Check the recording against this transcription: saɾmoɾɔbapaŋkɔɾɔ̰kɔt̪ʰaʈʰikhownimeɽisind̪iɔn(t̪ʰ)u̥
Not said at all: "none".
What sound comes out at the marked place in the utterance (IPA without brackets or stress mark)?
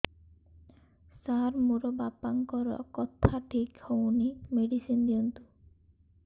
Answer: t̪